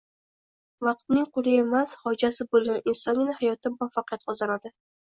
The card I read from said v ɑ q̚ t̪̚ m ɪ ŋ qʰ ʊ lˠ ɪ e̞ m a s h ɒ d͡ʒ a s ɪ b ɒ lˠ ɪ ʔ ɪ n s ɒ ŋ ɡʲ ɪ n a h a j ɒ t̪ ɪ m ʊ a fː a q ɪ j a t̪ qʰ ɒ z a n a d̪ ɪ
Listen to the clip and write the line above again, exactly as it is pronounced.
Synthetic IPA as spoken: v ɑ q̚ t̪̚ n ɪ ŋ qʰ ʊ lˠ ɪ e̞ m a s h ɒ d͡ʒ a s ɪ b o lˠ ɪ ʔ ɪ n s ɒ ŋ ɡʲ ɪ n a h a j ɒ t̪ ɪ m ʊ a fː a q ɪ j a t̪ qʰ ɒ z a n a d̪ ɪ